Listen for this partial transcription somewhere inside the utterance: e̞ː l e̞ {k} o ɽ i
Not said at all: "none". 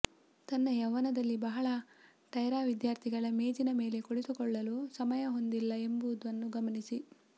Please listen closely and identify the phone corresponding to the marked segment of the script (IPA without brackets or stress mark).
k